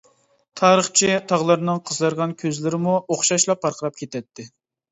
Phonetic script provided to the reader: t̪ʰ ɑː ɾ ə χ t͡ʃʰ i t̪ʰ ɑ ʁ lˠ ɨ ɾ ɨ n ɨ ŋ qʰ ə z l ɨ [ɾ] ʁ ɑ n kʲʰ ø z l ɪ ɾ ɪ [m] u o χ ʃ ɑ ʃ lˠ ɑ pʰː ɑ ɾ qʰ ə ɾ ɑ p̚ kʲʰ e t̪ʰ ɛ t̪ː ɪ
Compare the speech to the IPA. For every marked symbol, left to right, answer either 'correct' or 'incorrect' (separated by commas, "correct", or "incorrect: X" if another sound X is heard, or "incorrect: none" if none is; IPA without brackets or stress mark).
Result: correct, correct